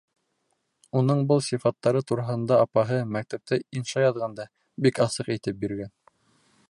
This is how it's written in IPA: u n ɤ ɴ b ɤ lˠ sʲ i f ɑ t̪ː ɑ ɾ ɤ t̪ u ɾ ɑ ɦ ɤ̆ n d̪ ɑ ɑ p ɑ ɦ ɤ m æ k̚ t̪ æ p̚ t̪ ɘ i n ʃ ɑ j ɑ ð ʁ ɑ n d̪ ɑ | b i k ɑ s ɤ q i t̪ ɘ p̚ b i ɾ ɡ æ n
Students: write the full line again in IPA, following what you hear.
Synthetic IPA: u n ɤ ɴ b ɤ lˠ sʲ i f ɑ t̪ː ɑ ɾ ɤ t̪ u ɾ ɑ ɦ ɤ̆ n d̪ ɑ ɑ p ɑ ɦ ɤ m æ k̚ t̪ æ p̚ t̪ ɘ i n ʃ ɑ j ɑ ð ʁ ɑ n d̪ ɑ | b i k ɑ s ɤ q i t̪ ɘ p̚ b i ɾ ɡ æ n